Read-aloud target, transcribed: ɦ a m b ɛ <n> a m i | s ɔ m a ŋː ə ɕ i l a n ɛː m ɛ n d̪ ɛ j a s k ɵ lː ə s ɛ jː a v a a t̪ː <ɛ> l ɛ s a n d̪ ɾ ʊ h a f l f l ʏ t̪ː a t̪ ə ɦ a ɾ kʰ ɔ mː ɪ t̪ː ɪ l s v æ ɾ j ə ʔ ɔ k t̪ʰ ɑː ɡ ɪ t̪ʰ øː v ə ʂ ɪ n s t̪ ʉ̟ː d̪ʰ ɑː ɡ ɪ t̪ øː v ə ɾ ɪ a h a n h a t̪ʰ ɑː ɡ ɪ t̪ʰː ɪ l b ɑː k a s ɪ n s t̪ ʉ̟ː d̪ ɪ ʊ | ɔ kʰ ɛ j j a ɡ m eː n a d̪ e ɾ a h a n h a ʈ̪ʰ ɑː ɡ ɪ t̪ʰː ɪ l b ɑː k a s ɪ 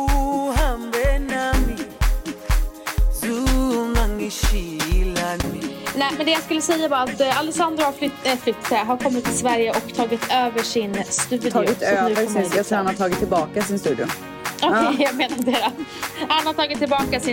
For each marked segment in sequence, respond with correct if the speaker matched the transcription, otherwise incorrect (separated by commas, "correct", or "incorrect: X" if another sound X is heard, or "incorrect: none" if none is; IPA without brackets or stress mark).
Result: correct, incorrect: a